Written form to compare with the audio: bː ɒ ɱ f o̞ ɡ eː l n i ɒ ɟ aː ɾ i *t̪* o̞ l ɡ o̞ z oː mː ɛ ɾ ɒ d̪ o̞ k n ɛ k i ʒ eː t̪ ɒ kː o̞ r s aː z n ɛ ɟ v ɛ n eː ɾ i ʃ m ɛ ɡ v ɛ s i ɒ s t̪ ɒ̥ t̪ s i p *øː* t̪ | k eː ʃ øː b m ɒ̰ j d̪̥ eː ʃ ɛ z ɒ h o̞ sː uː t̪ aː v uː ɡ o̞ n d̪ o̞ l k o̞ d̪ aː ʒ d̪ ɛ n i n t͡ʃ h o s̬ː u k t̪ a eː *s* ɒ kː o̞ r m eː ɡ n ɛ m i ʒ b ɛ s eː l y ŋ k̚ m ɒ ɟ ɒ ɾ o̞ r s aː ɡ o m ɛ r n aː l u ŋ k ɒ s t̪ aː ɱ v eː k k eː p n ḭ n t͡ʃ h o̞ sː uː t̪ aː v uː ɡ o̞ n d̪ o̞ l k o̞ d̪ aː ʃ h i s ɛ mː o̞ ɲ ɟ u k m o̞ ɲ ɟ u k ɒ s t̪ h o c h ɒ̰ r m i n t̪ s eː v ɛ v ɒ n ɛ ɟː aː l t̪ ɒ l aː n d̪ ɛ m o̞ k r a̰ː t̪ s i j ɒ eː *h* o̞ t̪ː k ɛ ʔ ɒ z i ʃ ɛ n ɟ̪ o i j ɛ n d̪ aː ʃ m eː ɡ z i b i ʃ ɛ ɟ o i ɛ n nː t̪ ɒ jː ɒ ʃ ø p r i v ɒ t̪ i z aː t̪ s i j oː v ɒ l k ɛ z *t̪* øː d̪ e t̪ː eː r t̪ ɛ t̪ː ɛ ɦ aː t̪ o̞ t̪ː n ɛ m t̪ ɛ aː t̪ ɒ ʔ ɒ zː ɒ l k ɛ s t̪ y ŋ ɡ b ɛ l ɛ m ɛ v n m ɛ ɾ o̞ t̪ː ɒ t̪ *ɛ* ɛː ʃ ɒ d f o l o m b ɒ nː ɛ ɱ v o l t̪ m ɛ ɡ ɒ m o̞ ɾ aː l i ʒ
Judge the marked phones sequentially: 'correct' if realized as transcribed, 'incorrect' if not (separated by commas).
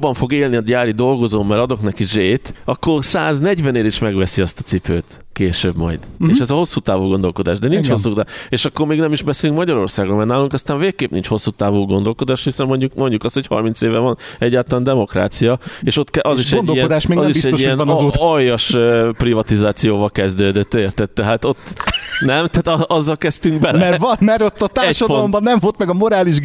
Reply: incorrect, correct, incorrect, incorrect, incorrect, incorrect